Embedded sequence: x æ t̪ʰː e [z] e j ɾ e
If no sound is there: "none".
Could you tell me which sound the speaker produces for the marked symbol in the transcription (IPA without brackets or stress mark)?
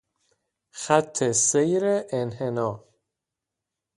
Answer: s